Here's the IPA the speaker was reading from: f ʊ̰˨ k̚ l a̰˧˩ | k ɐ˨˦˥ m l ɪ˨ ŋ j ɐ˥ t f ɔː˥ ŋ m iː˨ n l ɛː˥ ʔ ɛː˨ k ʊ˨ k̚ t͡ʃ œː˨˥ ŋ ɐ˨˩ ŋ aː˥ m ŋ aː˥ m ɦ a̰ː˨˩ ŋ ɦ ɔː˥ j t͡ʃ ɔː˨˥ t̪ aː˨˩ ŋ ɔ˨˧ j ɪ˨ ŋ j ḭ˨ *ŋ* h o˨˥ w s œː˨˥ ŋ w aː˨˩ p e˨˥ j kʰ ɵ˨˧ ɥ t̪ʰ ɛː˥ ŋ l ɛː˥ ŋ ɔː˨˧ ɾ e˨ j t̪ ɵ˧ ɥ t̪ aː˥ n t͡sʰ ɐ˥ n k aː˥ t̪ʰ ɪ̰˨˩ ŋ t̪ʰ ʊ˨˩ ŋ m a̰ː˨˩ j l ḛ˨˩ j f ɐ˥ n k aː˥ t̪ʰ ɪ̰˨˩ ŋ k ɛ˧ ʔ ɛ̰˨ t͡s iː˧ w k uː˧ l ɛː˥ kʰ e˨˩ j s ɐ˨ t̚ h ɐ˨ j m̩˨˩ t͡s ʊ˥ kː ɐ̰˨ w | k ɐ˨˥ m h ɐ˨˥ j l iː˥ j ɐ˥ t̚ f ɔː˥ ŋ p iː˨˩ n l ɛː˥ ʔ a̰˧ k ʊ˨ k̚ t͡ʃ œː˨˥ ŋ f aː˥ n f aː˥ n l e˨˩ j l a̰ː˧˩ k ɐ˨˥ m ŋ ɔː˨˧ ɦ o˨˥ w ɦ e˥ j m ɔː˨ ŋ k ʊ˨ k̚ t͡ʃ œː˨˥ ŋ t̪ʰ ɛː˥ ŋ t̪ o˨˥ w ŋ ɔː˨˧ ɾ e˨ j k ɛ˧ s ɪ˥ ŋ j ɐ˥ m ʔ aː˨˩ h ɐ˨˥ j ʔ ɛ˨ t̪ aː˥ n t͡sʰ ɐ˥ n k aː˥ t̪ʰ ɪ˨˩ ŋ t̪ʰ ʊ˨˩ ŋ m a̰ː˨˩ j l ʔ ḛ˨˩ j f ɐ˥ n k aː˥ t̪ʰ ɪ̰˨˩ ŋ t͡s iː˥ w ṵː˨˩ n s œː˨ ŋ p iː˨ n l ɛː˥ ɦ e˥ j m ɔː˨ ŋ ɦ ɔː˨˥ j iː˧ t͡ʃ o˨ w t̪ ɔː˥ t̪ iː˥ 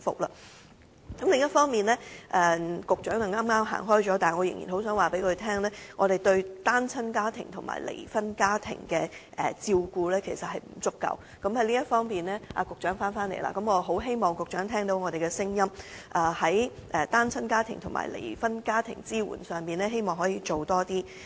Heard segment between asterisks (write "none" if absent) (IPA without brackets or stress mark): n